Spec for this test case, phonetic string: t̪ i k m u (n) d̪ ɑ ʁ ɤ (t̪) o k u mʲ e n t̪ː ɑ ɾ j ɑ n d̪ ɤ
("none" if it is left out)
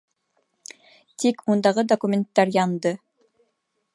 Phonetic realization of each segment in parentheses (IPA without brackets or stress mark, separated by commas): n, d̪